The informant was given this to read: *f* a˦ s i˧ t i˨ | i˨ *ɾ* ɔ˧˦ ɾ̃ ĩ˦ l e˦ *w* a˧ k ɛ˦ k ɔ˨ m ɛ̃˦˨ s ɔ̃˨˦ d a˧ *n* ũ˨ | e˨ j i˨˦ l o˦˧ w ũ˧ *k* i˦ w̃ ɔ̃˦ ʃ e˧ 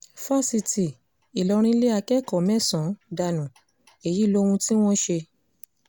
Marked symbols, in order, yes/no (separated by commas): yes, no, no, yes, no